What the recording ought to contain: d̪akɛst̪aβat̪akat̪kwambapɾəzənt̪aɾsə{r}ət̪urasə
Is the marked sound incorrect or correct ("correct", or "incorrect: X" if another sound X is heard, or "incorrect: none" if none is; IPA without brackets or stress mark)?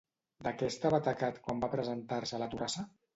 incorrect: l